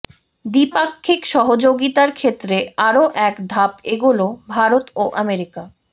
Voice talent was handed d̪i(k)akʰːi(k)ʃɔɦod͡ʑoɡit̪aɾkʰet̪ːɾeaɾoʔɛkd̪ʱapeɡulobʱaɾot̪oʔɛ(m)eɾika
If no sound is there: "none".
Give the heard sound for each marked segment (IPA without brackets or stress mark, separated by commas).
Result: p, k, m